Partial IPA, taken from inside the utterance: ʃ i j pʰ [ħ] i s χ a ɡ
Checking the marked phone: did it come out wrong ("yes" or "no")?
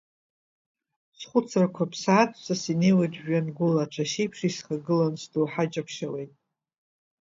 yes